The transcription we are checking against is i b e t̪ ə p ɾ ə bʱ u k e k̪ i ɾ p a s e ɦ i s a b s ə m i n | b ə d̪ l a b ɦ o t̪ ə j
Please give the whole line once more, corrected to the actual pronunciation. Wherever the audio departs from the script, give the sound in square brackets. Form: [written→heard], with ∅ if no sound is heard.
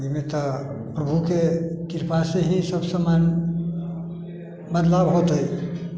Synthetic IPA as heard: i [b→m] e t̪ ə p ɾ ə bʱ u k e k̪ i ɾ p a s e ɦ i s [a→ə] b s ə m [i→a] n | b ə d̪ l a b ɦ o t̪ ə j